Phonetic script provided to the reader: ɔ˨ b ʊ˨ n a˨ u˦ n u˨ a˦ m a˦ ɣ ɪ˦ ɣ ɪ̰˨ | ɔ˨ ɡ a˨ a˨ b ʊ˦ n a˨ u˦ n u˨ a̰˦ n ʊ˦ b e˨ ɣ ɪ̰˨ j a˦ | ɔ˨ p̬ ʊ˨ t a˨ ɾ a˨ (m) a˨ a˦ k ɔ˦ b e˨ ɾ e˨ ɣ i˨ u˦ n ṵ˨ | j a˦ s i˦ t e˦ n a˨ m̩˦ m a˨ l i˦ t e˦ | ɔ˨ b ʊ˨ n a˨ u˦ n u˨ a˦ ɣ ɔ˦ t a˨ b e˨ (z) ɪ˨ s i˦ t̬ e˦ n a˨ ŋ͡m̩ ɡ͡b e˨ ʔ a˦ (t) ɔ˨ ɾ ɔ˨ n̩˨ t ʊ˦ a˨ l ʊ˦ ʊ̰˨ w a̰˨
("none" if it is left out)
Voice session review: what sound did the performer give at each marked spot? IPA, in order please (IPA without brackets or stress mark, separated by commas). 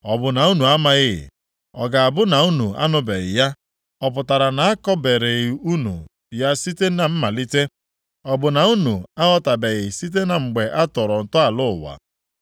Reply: n, ɣ, t